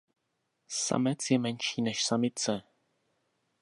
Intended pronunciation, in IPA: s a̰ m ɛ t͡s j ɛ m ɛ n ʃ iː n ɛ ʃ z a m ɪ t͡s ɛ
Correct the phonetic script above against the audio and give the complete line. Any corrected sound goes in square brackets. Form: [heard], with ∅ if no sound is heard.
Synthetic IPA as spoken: s a̰ m ɛ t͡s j ɛ m ɛ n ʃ iː n ɛ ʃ [s] a m ɪ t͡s ɛ